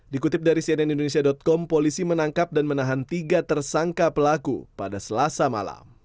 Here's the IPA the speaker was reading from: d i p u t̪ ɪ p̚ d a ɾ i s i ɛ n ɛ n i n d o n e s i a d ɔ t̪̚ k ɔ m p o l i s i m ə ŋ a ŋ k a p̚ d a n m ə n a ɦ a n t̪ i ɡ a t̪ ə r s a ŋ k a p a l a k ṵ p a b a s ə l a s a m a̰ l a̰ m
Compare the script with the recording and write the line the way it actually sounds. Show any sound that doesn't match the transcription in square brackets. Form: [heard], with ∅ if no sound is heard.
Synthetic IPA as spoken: d i [k] u t̪ ɪ p̚ d a ɾ i s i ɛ n ɛ n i n d o n e s i a d ɔ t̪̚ k ɔ m p o l i s i m ə [n] a ŋ k a p̚ d a n m ə n a ɦ a n t̪ i ɡ a t̪ ə r s a ŋ k a p [ə] l a k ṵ p a [d] a s ə l a s a m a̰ l a̰ m